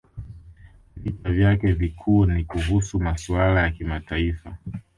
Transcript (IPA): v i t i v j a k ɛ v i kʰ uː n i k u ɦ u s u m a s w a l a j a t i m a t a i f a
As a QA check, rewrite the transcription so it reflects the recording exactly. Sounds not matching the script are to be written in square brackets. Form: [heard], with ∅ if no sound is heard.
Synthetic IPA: v i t [a] v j a k ɛ v i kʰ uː n i k u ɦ u s u m a s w a l a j a [k] i m a t a i f a